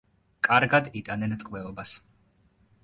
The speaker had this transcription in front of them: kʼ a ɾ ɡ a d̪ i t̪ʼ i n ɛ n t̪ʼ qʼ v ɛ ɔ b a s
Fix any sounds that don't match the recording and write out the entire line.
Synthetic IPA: kʼ a ɾ ɡ a d̪ i t̪ʼ a n ɛ n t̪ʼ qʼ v ɛ ɔ b a s